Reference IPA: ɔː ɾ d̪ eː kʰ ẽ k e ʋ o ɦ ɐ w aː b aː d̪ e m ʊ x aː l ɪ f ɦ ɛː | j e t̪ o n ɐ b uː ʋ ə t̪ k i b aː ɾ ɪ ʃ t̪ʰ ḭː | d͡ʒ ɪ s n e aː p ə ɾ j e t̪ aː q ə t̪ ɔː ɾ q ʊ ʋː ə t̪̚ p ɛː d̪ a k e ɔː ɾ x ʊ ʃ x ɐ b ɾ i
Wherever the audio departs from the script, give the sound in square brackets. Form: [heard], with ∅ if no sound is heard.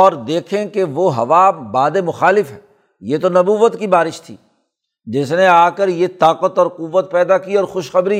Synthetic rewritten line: ɔː ɾ d̪ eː kʰ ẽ k e ʋ o ɦ ɐ [ʋ] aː b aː d̪ e m ʊ x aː l ɪ f ɦ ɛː | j e t̪ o n ɐ b uː ʋ ə t̪ k i b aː ɾ ɪ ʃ t̪ʰ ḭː | d͡ʒ ɪ s n e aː [k] ə ɾ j e t̪ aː q ə t̪ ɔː ɾ q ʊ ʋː ə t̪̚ p ɛː d̪ a k [i] ɔː ɾ x ʊ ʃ x ɐ b ɾ i